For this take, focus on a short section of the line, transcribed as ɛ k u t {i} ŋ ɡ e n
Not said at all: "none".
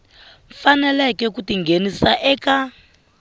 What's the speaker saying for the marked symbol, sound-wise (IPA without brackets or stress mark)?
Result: i